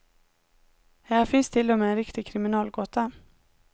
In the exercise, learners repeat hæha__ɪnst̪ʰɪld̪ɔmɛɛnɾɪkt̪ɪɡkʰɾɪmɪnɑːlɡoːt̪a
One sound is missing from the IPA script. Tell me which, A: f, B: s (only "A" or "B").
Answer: A